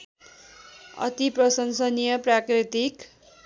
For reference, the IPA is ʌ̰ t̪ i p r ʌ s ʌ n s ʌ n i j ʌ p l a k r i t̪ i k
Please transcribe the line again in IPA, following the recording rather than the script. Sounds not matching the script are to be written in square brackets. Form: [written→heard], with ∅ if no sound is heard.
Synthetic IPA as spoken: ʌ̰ t̪ i p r ʌ s ʌ n s ʌ n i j ʌ p [l→r] a k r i t̪ i k